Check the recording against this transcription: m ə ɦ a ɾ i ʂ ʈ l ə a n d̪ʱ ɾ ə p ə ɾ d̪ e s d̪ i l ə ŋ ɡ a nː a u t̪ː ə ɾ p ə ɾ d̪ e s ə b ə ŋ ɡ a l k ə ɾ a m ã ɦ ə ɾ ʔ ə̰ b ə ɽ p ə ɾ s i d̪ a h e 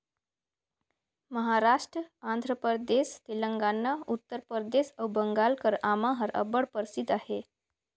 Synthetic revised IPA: m ə ɦ a ɾ a ʂ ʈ ɾ ə a n d̪ʱ ɾ ə p ə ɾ d̪ e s t̪ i l ə ŋ ɡ a nː a u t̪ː ə ɾ p ə ɾ d̪ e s ə b ə ŋ ɡ a l k ə ɾ a m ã ɦ ə ɾ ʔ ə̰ b ə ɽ p ə ɾ s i d̪ a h e